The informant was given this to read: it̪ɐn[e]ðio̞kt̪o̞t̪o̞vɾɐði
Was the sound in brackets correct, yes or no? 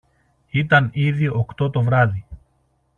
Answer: no